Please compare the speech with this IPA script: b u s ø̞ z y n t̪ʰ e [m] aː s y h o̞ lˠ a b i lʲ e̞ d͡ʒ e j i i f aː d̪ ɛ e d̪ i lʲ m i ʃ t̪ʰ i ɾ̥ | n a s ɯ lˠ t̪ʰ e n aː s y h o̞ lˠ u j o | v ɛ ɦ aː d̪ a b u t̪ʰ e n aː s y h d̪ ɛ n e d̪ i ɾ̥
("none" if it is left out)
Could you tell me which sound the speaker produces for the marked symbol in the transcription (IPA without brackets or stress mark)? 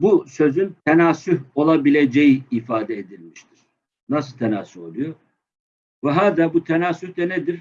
n